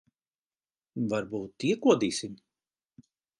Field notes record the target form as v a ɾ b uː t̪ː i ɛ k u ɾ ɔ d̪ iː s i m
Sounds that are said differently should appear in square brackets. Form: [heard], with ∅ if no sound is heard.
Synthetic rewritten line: v a ɾ b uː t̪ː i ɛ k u [∅] ɔ d̪ iː s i m